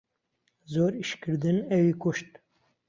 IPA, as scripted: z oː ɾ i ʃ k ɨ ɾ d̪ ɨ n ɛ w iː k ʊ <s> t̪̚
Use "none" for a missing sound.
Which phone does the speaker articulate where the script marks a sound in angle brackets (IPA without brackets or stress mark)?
ʃ